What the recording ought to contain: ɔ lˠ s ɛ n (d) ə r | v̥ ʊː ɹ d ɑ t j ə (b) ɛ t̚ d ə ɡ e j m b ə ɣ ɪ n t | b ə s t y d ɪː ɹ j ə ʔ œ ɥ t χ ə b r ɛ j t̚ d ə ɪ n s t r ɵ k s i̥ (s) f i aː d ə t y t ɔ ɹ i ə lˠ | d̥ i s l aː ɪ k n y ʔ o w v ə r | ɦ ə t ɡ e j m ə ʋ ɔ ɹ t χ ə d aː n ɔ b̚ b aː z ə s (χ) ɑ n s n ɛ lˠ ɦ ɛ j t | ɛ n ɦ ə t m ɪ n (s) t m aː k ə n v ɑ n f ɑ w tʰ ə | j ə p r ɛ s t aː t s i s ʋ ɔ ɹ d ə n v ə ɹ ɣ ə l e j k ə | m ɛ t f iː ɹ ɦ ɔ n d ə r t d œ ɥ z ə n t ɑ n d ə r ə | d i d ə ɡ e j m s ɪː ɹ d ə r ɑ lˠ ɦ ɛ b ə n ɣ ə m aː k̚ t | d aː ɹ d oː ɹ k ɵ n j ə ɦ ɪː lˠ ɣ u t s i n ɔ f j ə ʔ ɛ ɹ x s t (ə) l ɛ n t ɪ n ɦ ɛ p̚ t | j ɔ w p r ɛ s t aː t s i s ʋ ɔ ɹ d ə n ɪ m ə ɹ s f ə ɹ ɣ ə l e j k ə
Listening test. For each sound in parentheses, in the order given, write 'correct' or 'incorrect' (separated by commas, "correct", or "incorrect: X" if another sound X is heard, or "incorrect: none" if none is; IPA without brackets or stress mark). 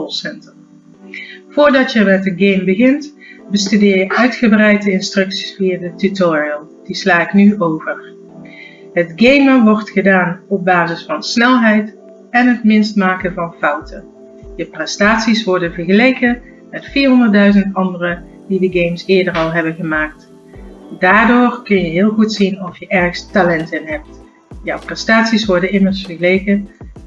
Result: incorrect: t, incorrect: m, correct, incorrect: f, correct, incorrect: a